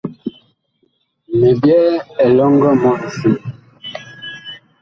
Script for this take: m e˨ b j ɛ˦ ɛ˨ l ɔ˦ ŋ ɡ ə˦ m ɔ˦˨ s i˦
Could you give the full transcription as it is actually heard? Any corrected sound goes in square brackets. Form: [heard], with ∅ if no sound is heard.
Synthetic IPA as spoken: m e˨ b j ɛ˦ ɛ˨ l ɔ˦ ŋ ɡ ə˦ m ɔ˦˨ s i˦